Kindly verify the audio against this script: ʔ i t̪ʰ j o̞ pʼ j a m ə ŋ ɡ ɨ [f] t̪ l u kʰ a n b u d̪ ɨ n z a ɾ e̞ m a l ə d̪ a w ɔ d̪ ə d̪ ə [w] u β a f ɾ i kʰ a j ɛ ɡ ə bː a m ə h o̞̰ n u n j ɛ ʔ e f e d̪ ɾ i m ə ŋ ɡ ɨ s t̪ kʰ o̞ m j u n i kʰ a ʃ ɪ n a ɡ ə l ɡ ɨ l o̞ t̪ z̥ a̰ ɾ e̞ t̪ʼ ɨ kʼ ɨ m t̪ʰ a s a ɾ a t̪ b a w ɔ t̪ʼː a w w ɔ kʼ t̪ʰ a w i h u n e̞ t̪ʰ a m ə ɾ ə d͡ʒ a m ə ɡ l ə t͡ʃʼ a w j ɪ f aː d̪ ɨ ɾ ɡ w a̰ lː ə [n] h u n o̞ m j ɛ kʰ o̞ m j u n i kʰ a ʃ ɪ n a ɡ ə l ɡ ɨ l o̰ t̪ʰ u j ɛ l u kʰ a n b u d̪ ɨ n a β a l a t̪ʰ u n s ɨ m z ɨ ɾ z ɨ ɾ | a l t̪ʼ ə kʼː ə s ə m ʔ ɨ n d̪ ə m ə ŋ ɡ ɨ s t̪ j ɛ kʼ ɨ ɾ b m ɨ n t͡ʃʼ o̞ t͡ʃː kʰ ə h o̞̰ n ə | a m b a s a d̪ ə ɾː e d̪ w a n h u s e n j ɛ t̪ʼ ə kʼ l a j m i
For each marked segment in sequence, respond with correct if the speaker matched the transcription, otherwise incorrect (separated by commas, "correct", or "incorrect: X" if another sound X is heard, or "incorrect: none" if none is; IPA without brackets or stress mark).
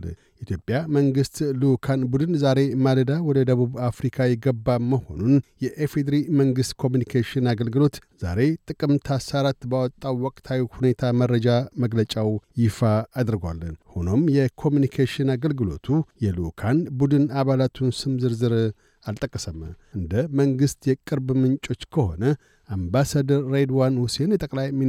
incorrect: s, incorrect: β, correct